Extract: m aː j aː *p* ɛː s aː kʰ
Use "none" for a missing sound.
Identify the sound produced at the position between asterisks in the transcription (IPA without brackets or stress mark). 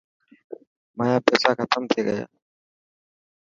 p